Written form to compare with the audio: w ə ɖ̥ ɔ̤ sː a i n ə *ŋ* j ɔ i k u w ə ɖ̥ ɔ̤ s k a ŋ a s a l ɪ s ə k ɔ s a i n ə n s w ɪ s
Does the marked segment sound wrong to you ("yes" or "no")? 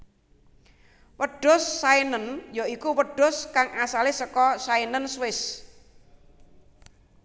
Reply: yes